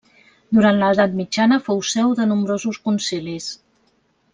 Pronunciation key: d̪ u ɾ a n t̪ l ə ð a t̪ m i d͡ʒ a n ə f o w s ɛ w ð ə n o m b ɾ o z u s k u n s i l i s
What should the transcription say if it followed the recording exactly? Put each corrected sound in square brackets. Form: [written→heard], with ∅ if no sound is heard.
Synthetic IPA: d̪ u ɾ a n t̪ l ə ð a t̪ m i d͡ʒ a n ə f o w s ɛ w ð ə n [o→u] m b ɾ o z u s k u n s i l i s